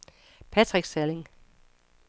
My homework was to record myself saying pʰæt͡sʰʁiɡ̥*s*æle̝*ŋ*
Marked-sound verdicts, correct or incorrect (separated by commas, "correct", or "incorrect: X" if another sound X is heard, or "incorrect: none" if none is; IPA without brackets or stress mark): correct, correct